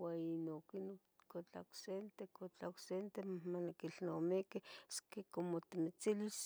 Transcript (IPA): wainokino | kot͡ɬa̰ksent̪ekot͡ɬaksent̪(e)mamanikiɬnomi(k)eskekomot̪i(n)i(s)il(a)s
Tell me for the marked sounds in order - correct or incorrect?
correct, correct, incorrect: m, incorrect: t͡s, incorrect: i

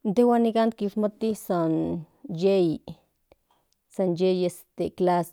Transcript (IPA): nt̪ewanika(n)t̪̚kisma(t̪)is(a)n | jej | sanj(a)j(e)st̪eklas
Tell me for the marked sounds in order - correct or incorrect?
correct, correct, correct, incorrect: e, correct

